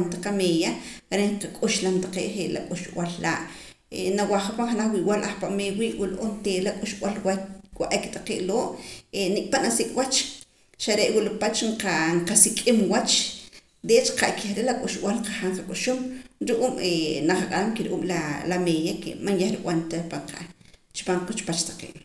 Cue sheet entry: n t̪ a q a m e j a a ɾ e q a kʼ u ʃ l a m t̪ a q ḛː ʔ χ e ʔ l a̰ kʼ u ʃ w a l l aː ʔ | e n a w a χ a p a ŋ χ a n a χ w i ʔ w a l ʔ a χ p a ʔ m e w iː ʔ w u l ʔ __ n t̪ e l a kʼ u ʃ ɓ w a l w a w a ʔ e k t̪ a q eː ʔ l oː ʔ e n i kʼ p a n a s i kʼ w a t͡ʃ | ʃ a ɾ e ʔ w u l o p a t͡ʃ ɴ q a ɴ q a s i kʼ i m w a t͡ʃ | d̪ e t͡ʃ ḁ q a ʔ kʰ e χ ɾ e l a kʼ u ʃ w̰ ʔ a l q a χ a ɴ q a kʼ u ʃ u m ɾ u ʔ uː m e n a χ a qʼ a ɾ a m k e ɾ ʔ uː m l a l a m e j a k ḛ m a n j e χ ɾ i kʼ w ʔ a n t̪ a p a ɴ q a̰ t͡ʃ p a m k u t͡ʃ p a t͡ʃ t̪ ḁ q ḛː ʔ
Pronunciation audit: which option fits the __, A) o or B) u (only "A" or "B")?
A